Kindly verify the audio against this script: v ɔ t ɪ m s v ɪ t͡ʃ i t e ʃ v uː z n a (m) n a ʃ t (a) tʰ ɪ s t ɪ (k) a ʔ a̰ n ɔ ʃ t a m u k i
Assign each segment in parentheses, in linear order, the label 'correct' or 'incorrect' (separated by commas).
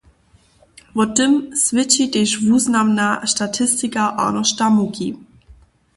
correct, correct, correct